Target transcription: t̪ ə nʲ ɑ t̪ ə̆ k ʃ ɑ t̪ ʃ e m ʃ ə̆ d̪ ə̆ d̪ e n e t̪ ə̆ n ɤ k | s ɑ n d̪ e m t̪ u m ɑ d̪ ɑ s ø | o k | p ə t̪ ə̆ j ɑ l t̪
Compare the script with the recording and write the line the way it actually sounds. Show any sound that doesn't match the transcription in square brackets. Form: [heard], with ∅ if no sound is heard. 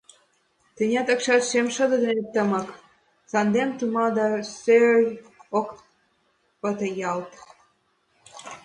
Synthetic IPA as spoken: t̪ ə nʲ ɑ t̪ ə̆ k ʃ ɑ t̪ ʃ e m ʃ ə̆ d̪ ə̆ d̪ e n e t̪ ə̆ [m] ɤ k | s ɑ n d̪ e m t̪ u m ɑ d̪ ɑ s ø | o k | p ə t̪ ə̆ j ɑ l t̪